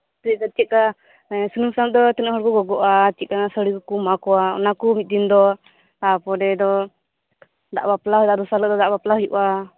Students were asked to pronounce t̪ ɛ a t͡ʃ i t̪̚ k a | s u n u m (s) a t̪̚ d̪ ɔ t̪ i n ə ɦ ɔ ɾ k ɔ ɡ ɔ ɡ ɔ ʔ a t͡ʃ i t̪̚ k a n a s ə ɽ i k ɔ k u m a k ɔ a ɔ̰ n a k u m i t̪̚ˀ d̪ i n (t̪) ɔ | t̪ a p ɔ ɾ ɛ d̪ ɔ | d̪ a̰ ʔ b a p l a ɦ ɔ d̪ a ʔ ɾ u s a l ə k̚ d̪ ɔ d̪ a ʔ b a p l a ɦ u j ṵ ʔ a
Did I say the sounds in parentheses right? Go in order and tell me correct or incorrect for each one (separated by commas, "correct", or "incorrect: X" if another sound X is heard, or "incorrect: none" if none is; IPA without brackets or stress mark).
correct, incorrect: d̪